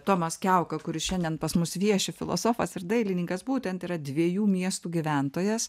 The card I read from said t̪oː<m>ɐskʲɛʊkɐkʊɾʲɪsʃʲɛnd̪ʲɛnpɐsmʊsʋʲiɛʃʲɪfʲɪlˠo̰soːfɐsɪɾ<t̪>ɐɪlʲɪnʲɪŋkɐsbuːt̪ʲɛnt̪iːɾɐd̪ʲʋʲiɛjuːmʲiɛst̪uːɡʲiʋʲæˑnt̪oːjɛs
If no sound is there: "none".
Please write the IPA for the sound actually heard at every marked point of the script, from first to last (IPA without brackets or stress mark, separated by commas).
m, d̪